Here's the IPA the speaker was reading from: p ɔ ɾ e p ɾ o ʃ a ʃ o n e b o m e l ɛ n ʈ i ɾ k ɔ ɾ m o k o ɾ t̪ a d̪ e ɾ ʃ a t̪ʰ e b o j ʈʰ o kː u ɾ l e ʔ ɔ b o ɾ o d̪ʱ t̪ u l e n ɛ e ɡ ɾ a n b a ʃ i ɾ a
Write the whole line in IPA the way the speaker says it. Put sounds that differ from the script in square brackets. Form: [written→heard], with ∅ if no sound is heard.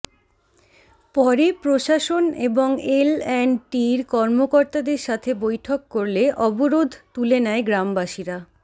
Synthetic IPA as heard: p ɔ ɾ e p ɾ o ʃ a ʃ o n e b o [m→ŋ] e l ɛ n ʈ i ɾ k ɔ ɾ m o k o ɾ t̪ a d̪ e ɾ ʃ a t̪ʰ e b o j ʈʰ o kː [u→o] ɾ l e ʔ ɔ b o ɾ o d̪ʱ t̪ u l e n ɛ e ɡ ɾ a [n→m] b a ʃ i ɾ a